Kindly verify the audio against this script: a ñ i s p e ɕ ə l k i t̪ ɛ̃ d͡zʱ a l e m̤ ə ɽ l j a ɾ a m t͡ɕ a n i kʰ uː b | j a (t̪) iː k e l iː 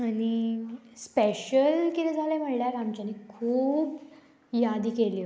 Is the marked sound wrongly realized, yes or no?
yes